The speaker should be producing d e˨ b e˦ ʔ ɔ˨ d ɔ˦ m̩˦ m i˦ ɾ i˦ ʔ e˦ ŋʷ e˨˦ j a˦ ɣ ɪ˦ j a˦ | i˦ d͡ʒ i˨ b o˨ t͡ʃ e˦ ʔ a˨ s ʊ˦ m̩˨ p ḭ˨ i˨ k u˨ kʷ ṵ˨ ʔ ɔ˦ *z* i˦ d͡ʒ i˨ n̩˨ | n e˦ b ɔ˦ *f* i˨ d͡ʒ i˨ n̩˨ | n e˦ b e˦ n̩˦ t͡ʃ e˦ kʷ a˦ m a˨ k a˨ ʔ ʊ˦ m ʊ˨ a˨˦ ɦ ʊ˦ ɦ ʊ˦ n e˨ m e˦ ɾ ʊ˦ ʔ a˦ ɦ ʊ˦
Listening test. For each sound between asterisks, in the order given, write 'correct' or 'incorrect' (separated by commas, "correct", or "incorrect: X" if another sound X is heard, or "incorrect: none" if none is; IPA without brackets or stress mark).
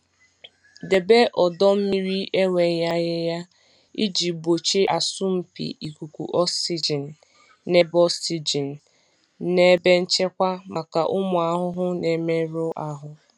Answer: incorrect: s, incorrect: s